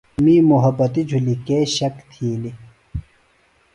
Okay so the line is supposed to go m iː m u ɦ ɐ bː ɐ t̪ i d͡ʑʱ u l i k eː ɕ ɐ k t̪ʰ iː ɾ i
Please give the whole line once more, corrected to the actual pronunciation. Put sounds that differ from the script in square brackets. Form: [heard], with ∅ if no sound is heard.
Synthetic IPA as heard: m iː m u ɦ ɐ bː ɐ t̪ i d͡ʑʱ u l i k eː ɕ ɐ k t̪ʰ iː [l] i